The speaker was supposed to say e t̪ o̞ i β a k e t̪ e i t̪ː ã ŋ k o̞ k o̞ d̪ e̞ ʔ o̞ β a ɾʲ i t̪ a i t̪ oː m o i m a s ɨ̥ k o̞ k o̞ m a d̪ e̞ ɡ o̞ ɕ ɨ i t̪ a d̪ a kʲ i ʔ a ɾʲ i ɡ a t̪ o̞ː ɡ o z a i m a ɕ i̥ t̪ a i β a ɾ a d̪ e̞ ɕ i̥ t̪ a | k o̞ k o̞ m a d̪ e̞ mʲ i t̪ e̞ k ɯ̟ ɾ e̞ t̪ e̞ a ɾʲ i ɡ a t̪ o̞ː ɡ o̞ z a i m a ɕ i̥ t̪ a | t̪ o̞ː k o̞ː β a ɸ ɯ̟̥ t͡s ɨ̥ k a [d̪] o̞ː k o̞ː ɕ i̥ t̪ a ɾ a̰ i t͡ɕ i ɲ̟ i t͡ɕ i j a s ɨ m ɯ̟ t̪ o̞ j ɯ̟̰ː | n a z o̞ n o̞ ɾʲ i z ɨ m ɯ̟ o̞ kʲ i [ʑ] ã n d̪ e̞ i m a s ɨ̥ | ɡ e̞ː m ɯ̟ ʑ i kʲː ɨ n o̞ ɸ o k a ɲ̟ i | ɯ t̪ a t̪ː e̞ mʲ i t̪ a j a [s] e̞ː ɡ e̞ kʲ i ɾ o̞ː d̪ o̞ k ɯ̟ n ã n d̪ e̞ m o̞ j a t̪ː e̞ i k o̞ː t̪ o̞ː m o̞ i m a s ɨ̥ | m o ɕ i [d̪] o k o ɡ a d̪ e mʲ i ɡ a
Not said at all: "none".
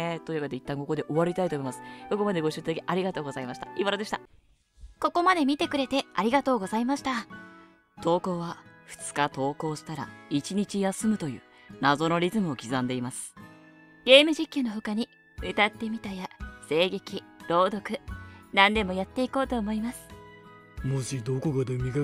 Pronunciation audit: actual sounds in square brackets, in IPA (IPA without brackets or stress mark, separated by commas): t̪, z, s, d̪